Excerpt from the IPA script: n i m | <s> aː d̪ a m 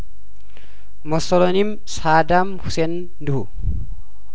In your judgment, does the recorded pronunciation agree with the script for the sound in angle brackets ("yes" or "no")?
yes